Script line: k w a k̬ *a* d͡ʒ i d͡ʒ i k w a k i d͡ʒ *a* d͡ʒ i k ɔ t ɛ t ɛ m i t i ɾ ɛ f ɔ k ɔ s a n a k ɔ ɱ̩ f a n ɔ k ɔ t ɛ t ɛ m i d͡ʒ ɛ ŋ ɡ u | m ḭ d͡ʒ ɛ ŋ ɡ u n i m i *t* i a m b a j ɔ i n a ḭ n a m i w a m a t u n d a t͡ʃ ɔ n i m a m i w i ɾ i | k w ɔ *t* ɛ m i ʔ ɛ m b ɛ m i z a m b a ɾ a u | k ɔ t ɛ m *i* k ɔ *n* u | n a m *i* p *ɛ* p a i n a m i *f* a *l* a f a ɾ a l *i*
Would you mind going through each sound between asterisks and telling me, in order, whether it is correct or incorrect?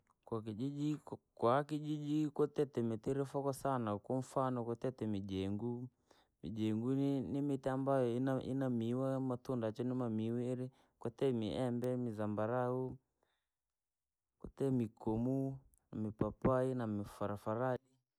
incorrect, incorrect, correct, correct, correct, incorrect, correct, incorrect, correct, incorrect, correct

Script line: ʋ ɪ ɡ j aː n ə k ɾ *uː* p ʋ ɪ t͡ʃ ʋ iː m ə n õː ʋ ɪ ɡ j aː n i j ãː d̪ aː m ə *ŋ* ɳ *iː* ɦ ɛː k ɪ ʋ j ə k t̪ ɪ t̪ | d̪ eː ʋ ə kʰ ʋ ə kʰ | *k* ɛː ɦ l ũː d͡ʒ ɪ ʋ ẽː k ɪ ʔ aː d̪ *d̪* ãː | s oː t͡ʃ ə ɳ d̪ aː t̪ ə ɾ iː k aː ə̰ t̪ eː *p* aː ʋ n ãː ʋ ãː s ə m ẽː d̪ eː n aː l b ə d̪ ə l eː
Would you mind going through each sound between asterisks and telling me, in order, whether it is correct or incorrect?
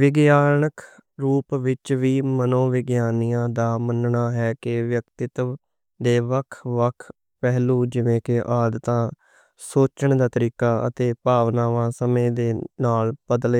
correct, incorrect, incorrect, incorrect, incorrect, correct

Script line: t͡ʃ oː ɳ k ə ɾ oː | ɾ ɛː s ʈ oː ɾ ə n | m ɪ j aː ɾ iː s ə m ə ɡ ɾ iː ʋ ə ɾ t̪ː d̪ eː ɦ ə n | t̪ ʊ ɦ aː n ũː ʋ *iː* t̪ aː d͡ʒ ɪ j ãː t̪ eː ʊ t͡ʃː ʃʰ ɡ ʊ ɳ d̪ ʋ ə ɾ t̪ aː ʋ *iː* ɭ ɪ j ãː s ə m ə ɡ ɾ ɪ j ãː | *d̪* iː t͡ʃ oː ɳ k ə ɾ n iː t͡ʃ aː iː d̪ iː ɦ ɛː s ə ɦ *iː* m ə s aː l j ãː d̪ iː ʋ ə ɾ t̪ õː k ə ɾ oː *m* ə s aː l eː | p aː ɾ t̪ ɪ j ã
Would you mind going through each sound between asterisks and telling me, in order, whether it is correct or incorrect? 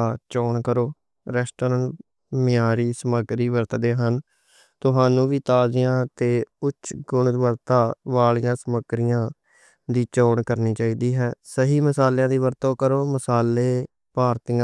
correct, incorrect, correct, correct, correct

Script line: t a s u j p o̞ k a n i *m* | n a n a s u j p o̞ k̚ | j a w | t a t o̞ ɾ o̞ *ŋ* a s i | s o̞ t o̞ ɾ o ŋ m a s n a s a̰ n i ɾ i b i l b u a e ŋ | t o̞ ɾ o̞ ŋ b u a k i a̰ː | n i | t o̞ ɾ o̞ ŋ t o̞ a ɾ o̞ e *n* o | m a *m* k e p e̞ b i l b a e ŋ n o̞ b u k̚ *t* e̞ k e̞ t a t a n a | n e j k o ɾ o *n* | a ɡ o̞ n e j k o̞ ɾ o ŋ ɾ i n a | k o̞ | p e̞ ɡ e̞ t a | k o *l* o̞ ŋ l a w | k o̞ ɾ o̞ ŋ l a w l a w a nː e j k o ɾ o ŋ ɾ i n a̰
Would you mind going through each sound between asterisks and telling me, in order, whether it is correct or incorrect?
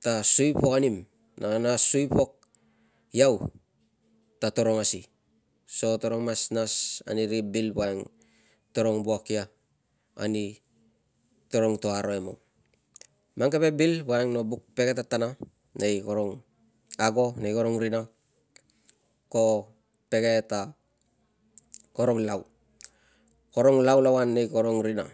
correct, correct, incorrect, incorrect, incorrect, incorrect, incorrect

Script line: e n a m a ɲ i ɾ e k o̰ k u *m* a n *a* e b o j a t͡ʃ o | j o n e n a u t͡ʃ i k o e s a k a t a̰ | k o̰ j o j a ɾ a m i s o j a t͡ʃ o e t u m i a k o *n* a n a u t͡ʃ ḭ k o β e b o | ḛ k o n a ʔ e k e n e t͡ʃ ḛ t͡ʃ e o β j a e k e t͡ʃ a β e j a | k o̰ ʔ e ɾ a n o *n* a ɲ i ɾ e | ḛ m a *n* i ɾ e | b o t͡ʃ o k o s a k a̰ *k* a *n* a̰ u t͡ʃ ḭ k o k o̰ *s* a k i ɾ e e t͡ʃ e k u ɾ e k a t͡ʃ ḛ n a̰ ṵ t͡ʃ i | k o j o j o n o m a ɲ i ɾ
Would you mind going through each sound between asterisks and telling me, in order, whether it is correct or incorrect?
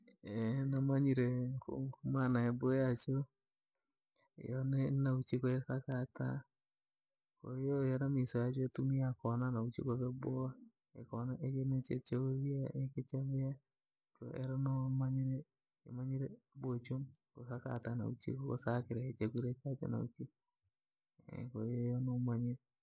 correct, correct, correct, incorrect, incorrect, incorrect, correct, correct

